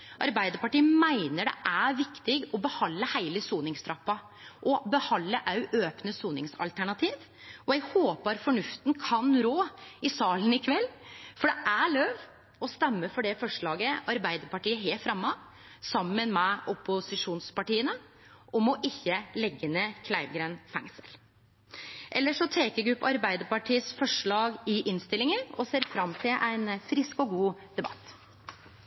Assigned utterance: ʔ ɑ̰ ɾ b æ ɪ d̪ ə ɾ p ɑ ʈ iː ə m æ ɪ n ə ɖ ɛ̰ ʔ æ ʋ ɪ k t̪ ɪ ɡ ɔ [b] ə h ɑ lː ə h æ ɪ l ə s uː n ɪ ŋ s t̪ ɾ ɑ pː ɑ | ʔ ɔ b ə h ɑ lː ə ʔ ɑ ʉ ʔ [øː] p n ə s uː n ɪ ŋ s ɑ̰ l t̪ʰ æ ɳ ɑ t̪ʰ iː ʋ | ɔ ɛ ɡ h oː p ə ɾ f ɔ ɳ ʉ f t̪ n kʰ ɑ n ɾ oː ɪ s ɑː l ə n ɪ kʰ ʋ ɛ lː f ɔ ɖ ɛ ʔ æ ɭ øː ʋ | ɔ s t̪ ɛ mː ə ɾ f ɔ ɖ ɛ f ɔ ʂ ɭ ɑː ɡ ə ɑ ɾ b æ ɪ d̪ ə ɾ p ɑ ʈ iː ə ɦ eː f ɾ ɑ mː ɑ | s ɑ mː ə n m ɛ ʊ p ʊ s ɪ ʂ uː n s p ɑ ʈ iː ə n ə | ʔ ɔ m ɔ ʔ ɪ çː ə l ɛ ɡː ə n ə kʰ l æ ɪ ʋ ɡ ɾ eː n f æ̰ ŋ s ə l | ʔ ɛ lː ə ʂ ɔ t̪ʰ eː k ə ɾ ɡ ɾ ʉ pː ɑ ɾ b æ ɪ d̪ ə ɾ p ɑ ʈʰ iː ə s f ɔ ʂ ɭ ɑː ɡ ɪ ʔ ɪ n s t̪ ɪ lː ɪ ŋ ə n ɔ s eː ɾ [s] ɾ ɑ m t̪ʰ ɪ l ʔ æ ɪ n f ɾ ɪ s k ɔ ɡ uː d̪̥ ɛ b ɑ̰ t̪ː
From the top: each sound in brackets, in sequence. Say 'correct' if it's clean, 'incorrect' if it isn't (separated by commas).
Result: correct, correct, incorrect